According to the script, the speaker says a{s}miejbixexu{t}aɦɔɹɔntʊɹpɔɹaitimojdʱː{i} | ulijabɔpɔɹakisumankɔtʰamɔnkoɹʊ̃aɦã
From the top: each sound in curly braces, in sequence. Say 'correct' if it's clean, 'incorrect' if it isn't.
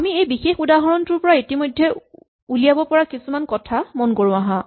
incorrect: none, incorrect: d, incorrect: ɛ

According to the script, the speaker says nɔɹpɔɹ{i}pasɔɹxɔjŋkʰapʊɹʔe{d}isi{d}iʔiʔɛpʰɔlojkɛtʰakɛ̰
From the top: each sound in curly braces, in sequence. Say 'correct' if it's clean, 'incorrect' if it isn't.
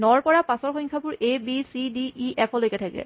incorrect: a, incorrect: b, correct

